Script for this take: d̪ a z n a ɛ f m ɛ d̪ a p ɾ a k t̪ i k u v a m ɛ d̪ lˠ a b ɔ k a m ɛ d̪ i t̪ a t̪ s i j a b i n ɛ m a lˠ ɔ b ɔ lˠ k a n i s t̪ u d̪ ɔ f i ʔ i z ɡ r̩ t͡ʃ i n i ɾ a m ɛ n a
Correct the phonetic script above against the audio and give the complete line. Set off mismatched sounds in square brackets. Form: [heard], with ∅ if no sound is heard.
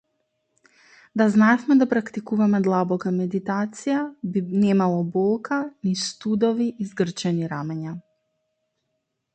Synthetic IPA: d̪ a z n a ɛ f m ɛ d̪ a p ɾ a k t̪ i k u v a m ɛ d̪ lˠ a b ɔ k a m ɛ d̪ i t̪ a t̪ s i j a b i n ɛ m a lˠ ɔ b ɔ lˠ k a n i s t̪ u d̪ ɔ [v] i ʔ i z ɡ r̩ t͡ʃ [ɛ] n i ɾ a m ɛ [ɲ] a